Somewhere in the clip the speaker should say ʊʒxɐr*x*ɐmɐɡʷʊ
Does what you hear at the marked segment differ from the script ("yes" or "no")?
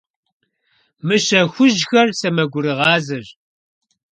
yes